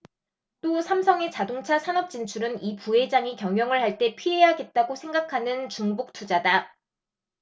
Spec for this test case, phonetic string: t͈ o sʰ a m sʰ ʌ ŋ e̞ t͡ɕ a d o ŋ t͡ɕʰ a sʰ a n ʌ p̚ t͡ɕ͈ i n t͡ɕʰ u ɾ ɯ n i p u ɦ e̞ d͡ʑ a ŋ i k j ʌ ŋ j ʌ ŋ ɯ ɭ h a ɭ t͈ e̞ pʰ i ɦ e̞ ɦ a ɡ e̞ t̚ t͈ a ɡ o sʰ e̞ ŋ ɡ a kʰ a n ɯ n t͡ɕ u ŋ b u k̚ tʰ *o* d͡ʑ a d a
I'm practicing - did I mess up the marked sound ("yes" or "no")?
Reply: yes